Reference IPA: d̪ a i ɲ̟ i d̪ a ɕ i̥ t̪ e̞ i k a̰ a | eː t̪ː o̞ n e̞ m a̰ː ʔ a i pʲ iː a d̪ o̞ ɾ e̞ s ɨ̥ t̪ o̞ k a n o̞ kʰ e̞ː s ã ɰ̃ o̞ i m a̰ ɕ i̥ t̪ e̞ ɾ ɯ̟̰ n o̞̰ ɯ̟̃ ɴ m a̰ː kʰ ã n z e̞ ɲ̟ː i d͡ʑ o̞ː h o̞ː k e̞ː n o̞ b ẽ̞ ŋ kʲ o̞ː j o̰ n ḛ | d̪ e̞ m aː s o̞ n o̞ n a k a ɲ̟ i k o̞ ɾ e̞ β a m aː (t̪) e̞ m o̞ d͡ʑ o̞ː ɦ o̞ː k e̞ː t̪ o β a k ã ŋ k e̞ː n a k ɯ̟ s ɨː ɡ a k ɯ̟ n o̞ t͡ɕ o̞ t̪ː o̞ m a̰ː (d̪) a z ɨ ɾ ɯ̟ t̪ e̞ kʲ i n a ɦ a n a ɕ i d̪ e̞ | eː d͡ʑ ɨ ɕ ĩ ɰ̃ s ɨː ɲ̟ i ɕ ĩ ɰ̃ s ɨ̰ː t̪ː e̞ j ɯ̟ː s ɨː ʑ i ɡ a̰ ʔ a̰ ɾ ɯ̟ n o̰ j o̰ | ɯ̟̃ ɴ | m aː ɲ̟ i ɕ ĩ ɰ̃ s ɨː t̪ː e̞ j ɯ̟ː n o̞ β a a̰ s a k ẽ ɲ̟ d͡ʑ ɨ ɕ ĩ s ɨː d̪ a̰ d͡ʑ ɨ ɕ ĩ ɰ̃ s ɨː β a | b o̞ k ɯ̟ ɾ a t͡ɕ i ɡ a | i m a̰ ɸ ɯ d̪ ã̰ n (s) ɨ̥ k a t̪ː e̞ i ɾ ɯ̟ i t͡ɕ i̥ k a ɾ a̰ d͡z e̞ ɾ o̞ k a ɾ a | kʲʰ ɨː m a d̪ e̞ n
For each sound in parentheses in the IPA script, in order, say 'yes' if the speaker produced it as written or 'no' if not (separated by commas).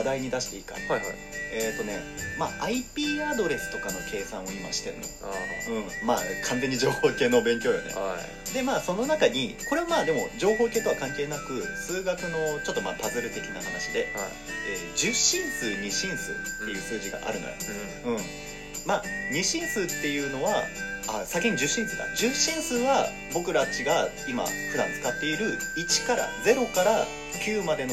no, no, no